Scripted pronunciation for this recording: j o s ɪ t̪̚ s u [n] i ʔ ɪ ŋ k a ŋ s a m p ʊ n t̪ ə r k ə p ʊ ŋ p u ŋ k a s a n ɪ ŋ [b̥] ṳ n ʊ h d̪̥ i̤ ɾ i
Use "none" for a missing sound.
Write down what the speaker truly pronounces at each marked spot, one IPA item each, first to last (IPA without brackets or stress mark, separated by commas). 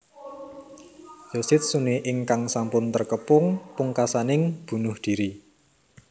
n, b̥